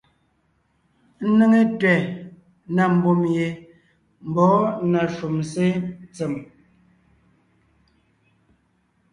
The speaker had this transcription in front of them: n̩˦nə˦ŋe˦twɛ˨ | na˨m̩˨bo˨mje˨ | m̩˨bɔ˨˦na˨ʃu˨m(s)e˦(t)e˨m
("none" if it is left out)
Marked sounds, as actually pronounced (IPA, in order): s, t͡s

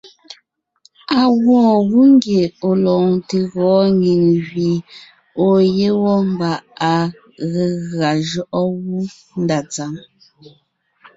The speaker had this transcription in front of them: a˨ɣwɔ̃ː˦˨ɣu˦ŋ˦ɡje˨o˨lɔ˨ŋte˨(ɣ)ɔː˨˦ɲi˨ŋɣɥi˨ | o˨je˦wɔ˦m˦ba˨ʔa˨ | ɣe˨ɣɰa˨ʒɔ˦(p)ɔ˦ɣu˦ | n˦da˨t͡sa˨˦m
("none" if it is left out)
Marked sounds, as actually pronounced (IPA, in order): ɣ, ʔ

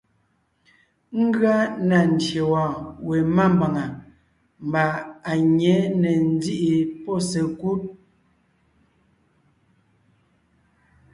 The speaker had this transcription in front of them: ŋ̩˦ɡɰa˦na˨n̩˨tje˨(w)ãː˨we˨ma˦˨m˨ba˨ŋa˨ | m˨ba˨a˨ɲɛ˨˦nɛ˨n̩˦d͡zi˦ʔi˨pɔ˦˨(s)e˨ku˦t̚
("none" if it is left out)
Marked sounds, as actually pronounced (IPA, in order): w, s

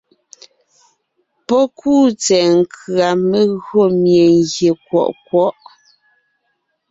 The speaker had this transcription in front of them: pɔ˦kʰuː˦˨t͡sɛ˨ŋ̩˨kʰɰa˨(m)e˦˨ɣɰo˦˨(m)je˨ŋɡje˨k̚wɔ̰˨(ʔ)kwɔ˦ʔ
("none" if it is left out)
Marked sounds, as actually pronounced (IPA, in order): m, m, ʔ

